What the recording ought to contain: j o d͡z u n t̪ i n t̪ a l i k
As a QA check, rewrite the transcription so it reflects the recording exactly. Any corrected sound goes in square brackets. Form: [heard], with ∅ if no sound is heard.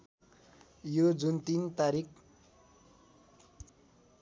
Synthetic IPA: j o d͡z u n t̪ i n t̪ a [ɾ] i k